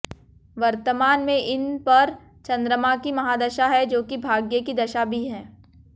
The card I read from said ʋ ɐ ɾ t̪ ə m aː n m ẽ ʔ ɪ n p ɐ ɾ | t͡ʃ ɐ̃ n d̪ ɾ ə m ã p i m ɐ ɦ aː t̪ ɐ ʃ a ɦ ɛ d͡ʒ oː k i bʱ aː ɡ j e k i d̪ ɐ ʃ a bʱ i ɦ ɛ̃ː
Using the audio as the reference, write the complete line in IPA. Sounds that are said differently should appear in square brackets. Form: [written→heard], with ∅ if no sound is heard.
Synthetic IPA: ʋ ɐ ɾ t̪ ə m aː n m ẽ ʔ ɪ n p ɐ ɾ | t͡ʃ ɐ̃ n d̪ ɾ ə m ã [p→k] i m ɐ ɦ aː [t̪→d̪] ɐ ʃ a ɦ ɛ d͡ʒ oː k i bʱ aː ɡ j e k i d̪ ɐ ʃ a bʱ i ɦ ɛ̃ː